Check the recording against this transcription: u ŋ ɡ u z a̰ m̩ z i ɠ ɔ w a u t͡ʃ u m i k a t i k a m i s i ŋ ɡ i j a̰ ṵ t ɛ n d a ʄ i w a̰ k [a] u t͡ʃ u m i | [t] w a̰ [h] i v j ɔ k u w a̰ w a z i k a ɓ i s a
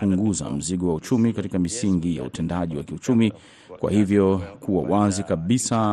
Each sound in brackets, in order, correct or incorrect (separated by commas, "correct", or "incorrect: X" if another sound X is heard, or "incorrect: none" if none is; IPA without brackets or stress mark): incorrect: i, incorrect: k, correct